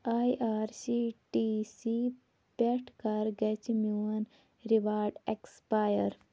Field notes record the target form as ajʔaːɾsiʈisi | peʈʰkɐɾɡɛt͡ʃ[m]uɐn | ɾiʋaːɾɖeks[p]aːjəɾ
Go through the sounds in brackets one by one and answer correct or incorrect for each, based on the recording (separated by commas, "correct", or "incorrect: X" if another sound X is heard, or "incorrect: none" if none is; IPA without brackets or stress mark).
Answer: correct, correct